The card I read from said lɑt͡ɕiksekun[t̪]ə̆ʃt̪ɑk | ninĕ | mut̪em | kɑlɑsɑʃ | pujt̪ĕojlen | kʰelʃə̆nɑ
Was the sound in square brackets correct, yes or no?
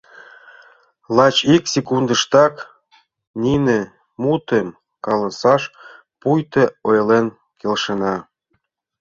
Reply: no